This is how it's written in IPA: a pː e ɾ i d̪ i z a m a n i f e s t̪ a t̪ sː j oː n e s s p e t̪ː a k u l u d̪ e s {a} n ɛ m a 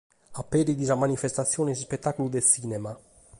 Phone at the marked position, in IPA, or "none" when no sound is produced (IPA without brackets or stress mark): i